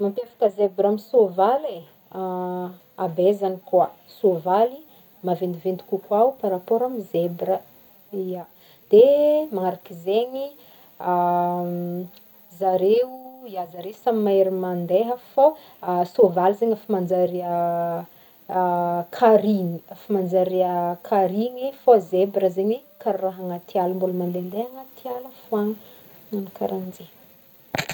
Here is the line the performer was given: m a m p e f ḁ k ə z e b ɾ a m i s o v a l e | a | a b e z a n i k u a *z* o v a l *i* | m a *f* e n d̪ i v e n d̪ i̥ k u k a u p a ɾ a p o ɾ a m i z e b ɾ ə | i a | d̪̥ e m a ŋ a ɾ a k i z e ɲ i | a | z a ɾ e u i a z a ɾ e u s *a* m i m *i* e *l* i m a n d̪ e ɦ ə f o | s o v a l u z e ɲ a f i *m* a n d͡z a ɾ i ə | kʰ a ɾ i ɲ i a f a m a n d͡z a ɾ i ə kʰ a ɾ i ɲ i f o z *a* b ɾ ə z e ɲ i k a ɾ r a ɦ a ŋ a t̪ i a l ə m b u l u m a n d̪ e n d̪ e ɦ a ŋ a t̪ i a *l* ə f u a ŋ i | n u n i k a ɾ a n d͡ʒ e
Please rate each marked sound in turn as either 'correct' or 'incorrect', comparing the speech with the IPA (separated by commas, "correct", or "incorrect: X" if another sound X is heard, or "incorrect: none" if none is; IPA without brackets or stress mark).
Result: incorrect: s, correct, incorrect: v, correct, incorrect: a, incorrect: ɾ, correct, incorrect: e, correct